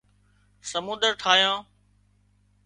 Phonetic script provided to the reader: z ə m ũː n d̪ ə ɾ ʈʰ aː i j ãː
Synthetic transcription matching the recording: s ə m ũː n d̪ ə ɾ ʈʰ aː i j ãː

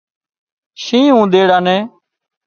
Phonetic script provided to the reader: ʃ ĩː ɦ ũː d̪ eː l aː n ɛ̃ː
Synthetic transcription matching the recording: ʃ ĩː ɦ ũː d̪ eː ɽ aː n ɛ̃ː

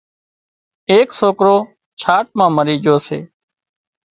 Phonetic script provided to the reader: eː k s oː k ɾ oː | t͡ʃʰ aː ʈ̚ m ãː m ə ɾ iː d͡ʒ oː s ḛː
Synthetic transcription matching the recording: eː k s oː k ɾ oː | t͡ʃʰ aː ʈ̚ m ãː m ə ɾ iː d͡ʒ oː s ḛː

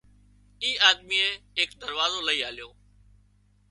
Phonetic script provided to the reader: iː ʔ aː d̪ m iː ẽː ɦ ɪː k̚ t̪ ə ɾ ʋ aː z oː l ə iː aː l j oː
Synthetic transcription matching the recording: iː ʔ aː d̪ m iː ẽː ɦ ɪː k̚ d̪ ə ɾ ʋ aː z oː l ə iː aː l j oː

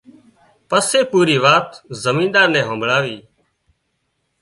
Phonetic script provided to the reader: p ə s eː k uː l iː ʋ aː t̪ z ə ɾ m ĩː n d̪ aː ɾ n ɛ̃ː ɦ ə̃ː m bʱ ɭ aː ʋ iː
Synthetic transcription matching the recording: p ə s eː p uː ɾ iː ʋ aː t̪ z ə m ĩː n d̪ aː ɾ n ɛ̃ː ɦ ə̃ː m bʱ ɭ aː ʋ iː

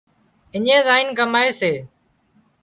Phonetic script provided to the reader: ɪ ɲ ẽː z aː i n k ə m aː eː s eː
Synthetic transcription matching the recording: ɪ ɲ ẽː z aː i n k ə m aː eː s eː

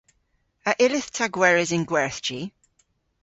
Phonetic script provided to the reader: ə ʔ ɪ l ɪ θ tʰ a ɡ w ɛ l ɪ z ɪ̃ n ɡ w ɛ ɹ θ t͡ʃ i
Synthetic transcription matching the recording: ə ʔ ɪ l ɪ θ tʰ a ɡ w ɛ ɹ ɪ z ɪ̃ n ɡ w ɛ ɹ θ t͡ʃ i

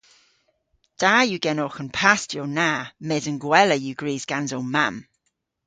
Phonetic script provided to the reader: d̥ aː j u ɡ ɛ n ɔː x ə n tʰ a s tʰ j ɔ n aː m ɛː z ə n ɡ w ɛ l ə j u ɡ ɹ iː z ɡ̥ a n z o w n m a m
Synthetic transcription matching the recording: d̥ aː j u ɡ ɛ n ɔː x ə n pʰ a s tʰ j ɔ n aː m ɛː z ə n ɡ w ɛ l ə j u ɡ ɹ iː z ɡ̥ a n z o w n m a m

